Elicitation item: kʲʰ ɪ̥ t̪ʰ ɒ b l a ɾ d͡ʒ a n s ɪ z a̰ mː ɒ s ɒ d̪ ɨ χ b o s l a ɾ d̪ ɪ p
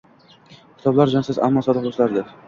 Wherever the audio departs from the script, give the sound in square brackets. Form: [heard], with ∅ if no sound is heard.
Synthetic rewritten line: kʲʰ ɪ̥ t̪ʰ ɒ b l a ɾ d͡ʒ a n s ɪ z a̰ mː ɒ s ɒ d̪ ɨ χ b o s l a ɾ d̪ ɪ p